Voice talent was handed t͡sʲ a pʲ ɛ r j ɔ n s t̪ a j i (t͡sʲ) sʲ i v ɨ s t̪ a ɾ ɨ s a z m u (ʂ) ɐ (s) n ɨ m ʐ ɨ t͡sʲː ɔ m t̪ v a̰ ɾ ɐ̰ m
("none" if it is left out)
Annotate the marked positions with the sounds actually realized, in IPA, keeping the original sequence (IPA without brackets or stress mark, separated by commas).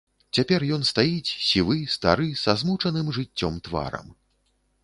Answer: t͡sʲ, t͡ʂ, none